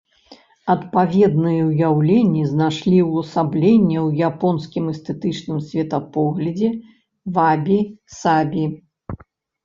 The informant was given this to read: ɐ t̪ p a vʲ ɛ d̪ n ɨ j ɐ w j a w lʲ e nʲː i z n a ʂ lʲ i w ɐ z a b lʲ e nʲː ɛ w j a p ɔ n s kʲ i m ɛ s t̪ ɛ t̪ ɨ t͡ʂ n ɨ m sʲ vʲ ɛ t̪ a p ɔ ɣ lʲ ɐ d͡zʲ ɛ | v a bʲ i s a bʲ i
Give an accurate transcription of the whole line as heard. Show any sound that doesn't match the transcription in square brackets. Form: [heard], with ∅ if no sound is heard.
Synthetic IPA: ɐ t̪ p a vʲ ɛ d̪ n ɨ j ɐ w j a w lʲ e nʲː i z n a ʂ lʲ i w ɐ [s] a b lʲ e nʲː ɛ w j a p ɔ n s kʲ i m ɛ s t̪ ɛ t̪ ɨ t͡ʂ n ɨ m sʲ vʲ ɛ t̪ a p ɔ ɣ lʲ ɐ d͡zʲ ɛ | v a bʲ i s a bʲ i